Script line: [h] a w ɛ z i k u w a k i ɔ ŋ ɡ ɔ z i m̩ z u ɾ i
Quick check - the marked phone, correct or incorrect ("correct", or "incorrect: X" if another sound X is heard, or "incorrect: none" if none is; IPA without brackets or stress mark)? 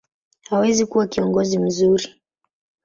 correct